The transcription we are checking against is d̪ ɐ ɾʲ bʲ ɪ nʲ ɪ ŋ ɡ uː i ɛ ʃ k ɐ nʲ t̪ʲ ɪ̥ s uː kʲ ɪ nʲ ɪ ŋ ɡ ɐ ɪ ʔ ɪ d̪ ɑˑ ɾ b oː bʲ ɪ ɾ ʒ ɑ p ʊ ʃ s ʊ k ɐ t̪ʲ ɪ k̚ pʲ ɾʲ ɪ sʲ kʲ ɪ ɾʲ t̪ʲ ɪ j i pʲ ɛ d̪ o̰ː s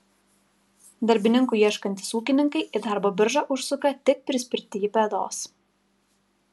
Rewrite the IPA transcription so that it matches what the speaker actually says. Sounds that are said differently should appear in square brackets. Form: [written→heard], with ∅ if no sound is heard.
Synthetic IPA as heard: d̪ ɐ ɾʲ bʲ ɪ nʲ ɪ ŋ [ɡ→k] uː i ɛ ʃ k ɐ nʲ t̪ʲ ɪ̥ s uː kʲ ɪ nʲ ɪ ŋ [ɡ→k] ɐ ɪ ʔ ɪ d̪ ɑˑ ɾ b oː bʲ ɪ ɾ ʒ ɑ [p→ʔ] ʊ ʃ s ʊ k ɐ t̪ʲ ɪ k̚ pʲ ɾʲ ɪ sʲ [kʲ→pʲ] ɪ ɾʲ t̪ʲ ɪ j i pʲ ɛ d̪ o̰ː s

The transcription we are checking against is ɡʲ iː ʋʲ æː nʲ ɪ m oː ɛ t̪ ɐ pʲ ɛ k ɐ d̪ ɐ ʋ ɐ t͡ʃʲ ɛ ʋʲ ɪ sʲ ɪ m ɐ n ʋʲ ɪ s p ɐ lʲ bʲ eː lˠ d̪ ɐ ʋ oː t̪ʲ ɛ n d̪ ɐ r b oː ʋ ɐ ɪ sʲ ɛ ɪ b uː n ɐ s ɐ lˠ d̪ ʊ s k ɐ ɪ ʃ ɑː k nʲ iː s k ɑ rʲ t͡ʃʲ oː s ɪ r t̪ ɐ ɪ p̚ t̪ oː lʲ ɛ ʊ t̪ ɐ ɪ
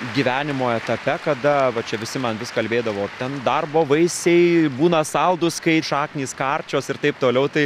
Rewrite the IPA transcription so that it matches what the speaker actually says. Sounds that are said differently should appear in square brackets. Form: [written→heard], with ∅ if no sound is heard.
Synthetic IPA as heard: ɡʲ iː ʋʲ æː nʲ ɪ m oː ɛ t̪ ɐ pʲ ɛ k ɐ d̪ ɐ ʋ ɐ t͡ʃʲ ɛ ʋʲ ɪ sʲ ɪ m ɐ n ʋʲ ɪ s [p→k] ɐ lʲ bʲ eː [lˠ→∅] d̪ ɐ ʋ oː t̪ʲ ɛ n d̪ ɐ r b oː ʋ ɐ ɪ sʲ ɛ ɪ b uː n ɐ s ɐ lˠ d̪ ʊ s k ɐ ɪ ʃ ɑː k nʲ iː s k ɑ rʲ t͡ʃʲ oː s ɪ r t̪ ɐ ɪ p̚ t̪ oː lʲ ɛ ʊ t̪ ɐ ɪ

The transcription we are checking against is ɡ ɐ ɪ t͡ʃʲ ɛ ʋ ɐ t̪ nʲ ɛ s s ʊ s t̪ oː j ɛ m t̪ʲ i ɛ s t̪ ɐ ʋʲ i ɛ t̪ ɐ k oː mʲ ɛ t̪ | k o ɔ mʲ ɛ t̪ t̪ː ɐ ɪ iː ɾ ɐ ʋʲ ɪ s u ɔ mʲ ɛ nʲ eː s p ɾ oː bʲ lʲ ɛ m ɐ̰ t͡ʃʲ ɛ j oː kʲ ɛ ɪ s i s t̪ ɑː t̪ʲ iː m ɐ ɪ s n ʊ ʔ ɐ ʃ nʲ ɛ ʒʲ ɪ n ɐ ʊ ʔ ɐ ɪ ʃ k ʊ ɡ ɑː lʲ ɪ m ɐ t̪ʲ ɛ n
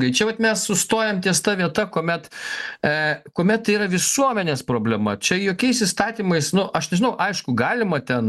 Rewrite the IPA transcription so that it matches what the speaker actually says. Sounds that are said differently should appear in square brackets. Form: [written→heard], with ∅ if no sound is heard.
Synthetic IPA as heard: ɡ ɐ ɪ t͡ʃʲ ɛ ʋ ɐ t̪ [nʲ→mʲ] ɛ s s ʊ s t̪ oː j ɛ m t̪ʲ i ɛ s t̪ ɐ ʋʲ i ɛ t̪ ɐ k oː mʲ ɛ t̪ | k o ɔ mʲ ɛ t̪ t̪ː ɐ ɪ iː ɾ ɐ ʋʲ ɪ s u ɔ mʲ ɛ nʲ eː s p ɾ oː bʲ lʲ ɛ m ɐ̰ t͡ʃʲ ɛ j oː kʲ ɛ ɪ s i s t̪ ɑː t̪ʲ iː m ɐ ɪ s n ʊ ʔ ɐ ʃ nʲ ɛ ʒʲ ɪ n ɐ ʊ ʔ ɐ ɪ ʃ k ʊ ɡ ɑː lʲ ɪ m ɐ t̪ʲ ɛ n

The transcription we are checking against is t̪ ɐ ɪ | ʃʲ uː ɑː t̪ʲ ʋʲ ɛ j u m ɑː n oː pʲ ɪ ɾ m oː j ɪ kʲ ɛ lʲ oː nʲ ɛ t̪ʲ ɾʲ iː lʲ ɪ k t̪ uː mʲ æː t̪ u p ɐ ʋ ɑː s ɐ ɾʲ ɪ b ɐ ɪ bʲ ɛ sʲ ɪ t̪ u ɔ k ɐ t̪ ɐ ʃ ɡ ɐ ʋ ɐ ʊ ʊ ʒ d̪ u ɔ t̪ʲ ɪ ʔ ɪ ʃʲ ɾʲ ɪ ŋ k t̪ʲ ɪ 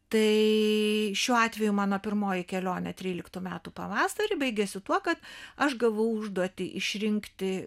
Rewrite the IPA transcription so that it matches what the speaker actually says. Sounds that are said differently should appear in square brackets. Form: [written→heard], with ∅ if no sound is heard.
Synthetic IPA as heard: t̪ ɐ ɪ | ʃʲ uː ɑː t̪ʲ ʋʲ ɛ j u m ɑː n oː pʲ ɪ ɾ m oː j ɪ kʲ ɛ lʲ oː nʲ ɛ t̪ʲ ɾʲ iː lʲ ɪ k t̪ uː mʲ æː t̪ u p ɐ ʋ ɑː s ɐ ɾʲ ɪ b ɐ ɪ [bʲ→ɡʲ] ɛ sʲ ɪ t̪ u ɔ k ɐ t̪ ɐ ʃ ɡ ɐ ʋ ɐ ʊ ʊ ʒ d̪ u ɔ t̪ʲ ɪ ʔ ɪ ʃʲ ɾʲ ɪ ŋ k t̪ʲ ɪ

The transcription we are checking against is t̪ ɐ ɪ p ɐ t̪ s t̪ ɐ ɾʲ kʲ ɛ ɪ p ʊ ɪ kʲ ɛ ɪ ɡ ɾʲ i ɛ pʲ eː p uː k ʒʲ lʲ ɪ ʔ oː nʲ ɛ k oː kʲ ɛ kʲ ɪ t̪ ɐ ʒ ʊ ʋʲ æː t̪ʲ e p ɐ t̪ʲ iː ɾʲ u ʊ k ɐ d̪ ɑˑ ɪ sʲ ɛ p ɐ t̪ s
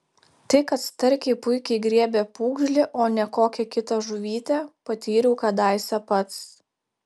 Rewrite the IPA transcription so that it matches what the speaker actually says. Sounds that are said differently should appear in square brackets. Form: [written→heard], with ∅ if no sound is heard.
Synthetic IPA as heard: t̪ ɐ ɪ [p→k] ɐ t̪ s t̪ ɐ ɾʲ kʲ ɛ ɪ p ʊ ɪ kʲ ɛ ɪ ɡ ɾʲ i ɛ [pʲ→bʲ] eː p uː [k→ɡ] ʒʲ lʲ ɪ ʔ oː nʲ ɛ k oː kʲ ɛ kʲ ɪ t̪ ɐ ʒ ʊ ʋʲ [æː→iː] t̪ʲ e p ɐ t̪ʲ iː ɾʲ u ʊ k ɐ d̪ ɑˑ ɪ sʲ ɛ p ɐ t̪ s

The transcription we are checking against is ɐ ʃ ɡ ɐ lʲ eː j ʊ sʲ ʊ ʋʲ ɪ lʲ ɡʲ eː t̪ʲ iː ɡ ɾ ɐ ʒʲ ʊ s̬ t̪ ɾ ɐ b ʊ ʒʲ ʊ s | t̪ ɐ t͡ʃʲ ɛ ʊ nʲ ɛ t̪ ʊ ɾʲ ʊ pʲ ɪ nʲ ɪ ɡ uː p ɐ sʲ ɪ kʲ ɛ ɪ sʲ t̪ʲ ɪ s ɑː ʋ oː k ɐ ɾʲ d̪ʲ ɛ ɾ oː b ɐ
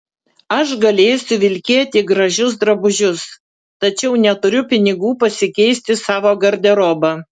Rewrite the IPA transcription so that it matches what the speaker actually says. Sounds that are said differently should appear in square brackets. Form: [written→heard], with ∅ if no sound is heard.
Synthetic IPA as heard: ɐ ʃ ɡ ɐ lʲ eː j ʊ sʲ ʊ ʋʲ ɪ lʲ [ɡʲ→kʲ] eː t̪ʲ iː ɡ ɾ ɐ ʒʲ ʊ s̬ [t̪→d̪] ɾ ɐ b ʊ ʒʲ ʊ s | t̪ ɐ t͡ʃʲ ɛ ʊ nʲ ɛ t̪ ʊ ɾʲ ʊ pʲ ɪ nʲ ɪ ɡ uː p ɐ sʲ ɪ kʲ ɛ ɪ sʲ t̪ʲ ɪ s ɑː ʋ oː [k→ɡ] ɐ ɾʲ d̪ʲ ɛ ɾ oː b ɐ

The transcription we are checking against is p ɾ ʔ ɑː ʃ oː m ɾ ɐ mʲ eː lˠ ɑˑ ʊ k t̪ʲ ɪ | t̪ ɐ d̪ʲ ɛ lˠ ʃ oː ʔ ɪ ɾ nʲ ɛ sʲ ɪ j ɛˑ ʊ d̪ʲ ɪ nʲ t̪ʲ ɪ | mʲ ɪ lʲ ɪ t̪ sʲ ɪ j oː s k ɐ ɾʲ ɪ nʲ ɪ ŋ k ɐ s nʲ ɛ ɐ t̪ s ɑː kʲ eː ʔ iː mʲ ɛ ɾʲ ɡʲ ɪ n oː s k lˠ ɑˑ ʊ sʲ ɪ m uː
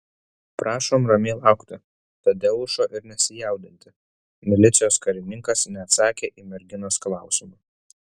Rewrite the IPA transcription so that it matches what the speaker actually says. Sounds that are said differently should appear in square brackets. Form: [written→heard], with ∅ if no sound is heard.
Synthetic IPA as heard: p ɾ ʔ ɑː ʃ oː m ɾ ɐ mʲ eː lˠ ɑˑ ʊ k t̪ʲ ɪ | t̪ ɐ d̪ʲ ɛ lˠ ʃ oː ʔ ɪ ɾ nʲ ɛ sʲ ɪ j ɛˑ ʊ d̪ʲ ɪ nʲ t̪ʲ ɪ | mʲ ɪ lʲ ɪ t̪ sʲ ɪ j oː s k ɐ ɾʲ ɪ nʲ ɪ ŋ k ɐ s nʲ ɛ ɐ t̪ s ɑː kʲ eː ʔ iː mʲ ɛ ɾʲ ɡʲ ɪ n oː s k lˠ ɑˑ ʊ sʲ ɪ m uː

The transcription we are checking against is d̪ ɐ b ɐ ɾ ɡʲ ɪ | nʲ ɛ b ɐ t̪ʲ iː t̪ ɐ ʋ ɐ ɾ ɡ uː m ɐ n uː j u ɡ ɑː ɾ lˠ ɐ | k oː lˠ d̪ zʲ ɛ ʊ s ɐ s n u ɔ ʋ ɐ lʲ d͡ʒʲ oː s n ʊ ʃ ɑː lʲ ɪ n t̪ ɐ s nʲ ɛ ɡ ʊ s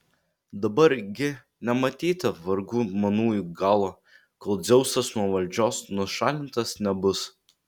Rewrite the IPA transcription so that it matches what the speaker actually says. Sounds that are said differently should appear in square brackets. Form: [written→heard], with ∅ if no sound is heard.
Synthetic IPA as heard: d̪ ɐ b ɐ ɾ ɡʲ ɪ | nʲ ɛ [b→m] ɐ t̪ʲ iː t̪ ɐ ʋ ɐ ɾ ɡ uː m ɐ n uː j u ɡ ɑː [ɾ→∅] lˠ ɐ | k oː lˠ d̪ zʲ ɛ ʊ s ɐ s n u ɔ ʋ ɐ lʲ d͡ʒʲ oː s n ʊ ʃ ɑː lʲ ɪ n t̪ ɐ s nʲ ɛ [ɡ→b] ʊ s

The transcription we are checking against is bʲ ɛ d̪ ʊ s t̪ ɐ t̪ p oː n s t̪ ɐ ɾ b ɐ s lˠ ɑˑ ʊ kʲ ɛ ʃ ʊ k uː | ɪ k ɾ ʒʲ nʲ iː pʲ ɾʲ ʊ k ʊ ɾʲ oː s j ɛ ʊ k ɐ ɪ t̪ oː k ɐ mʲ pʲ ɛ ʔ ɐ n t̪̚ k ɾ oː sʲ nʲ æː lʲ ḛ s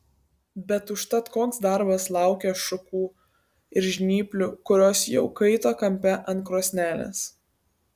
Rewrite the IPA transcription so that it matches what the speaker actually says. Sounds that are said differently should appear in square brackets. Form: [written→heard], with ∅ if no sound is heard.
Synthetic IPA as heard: bʲ ɛ [d̪→t̪] ʊ [s→ʃ] t̪ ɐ t̪ [p→k] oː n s [t̪→d̪] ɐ ɾ b ɐ s lˠ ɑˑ ʊ kʲ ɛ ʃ ʊ k uː | ɪ [k→∅] ɾ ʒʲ nʲ iː pʲ [ɾʲ→lʲ] ʊ k ʊ ɾʲ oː s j ɛ ʊ k ɐ ɪ t̪ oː k ɐ mʲ pʲ ɛ ʔ ɐ n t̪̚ k ɾ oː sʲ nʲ æː lʲ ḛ s

